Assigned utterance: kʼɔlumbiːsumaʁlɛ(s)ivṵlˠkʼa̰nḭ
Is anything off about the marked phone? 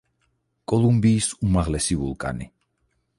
no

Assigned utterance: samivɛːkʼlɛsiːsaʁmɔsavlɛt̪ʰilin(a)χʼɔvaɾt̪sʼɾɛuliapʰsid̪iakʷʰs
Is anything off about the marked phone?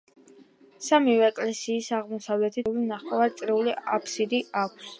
no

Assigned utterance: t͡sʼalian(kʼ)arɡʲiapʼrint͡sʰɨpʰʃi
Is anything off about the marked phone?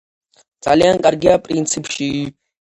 no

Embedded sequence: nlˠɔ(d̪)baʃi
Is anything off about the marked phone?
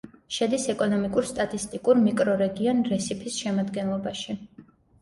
yes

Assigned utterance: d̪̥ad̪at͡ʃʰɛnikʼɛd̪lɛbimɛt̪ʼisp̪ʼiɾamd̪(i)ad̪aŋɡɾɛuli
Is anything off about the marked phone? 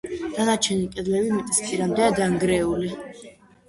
yes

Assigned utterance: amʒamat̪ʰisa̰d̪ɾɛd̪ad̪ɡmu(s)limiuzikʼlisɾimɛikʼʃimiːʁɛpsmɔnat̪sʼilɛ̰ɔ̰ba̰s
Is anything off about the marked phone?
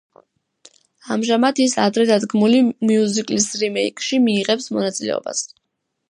yes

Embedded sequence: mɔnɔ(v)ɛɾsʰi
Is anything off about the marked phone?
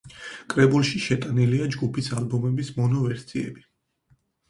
no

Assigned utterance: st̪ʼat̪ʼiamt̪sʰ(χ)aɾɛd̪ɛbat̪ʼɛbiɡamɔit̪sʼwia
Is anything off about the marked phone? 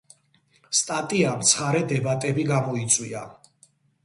no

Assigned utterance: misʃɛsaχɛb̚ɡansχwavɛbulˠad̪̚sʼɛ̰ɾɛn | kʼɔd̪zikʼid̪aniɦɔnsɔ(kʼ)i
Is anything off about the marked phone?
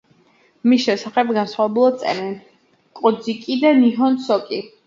no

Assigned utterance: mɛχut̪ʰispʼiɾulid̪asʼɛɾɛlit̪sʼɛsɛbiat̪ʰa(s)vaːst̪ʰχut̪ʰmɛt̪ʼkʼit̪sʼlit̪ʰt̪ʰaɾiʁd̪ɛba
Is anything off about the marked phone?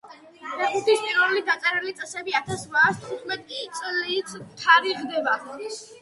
no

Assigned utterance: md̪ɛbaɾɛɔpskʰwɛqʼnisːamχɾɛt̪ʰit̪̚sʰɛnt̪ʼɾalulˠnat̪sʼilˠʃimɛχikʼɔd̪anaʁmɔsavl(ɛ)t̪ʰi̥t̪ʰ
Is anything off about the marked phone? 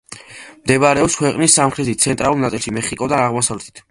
no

